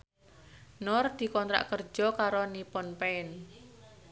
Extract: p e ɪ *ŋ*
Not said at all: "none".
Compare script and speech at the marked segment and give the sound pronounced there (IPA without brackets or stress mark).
n